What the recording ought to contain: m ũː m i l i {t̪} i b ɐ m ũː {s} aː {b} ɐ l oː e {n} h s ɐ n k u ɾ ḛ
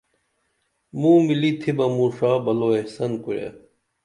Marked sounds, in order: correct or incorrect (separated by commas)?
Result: incorrect, incorrect, correct, incorrect